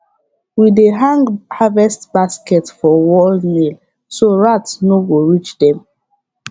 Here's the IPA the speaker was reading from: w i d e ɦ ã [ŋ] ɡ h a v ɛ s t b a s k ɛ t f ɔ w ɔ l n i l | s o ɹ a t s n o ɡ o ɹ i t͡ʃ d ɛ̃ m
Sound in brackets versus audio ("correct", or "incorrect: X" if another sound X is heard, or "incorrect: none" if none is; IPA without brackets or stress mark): correct